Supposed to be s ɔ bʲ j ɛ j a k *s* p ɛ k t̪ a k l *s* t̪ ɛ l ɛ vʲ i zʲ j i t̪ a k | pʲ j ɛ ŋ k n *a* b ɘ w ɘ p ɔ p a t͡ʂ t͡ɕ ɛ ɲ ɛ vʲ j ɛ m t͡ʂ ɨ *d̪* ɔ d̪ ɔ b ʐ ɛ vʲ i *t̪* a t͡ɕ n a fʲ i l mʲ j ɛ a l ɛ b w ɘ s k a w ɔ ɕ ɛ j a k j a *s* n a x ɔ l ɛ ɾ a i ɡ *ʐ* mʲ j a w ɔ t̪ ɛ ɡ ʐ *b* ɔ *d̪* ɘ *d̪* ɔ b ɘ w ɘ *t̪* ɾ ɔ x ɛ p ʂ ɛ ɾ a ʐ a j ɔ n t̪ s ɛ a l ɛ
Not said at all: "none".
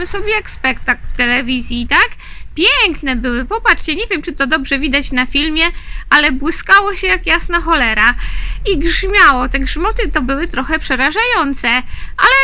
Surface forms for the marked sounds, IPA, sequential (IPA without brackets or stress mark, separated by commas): s, f, ɛ, t̪, d̪, s, ʐ, m, t̪, t̪, t̪